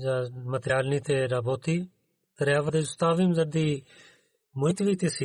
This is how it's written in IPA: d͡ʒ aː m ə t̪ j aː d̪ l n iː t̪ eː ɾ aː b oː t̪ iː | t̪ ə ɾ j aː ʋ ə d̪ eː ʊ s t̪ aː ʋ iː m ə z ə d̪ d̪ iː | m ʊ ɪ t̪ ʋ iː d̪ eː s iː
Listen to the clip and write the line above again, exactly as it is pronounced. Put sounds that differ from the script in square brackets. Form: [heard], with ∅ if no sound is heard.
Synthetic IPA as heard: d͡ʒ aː m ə t̪ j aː [∅] l n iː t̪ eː ɾ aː b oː t̪ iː | t̪ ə ɾ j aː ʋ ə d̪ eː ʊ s t̪ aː ʋ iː m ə z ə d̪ d̪ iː | m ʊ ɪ t̪ ʋ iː [t̪] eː s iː